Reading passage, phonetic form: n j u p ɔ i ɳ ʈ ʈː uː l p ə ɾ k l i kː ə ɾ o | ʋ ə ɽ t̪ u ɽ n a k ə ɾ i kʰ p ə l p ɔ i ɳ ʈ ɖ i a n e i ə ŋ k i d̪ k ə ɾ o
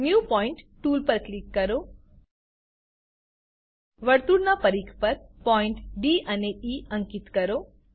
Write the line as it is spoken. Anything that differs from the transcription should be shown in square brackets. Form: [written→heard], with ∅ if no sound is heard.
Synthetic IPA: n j u p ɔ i ɳ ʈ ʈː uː l p ə ɾ k l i kː ə ɾ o | ʋ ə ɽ t̪ u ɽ n a [k→p] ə ɾ i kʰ p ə [l→ɾ] p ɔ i ɳ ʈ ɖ i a n e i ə ŋ k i [d̪→t̪] k ə ɾ o